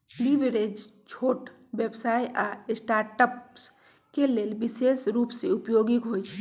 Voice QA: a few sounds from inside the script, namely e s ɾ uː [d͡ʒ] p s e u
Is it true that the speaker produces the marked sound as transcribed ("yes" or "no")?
no